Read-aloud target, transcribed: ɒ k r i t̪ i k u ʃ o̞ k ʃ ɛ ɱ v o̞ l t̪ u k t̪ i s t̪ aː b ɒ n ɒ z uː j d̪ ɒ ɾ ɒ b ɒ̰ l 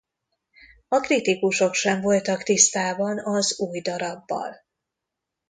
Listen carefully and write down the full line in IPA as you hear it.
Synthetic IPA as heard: ɒ k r i t̪ i k u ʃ o̞ k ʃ ɛ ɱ v o̞ l t̪ ɒ k t̪ i s t̪ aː b ɒ n ɒ z uː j d̪ ɒ ɾ ɒ bː ɒ̰ l